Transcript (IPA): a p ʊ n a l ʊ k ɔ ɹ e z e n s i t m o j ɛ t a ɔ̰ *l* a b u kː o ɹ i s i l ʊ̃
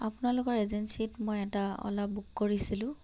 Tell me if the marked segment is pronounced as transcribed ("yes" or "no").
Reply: yes